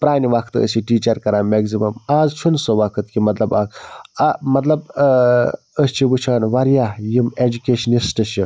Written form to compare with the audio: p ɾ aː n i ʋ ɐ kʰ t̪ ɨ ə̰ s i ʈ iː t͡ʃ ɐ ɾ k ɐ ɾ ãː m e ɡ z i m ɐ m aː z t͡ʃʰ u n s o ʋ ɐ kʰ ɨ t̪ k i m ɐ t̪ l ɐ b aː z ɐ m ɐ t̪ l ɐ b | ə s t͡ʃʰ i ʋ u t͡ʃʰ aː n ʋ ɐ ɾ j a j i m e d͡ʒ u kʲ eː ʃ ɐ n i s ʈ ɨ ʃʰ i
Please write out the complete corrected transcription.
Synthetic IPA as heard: p ɾ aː n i ʋ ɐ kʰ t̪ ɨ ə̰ s i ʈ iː t͡ʃ ɐ ɾ k ɐ ɾ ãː m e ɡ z i m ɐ m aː z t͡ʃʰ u n s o ʋ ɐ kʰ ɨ t̪ k i m ɐ t̪ l ɐ b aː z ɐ m ɐ t̪ l ɐ b | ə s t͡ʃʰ i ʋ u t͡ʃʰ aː n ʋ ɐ ɾ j a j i m e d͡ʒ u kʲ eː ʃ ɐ n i s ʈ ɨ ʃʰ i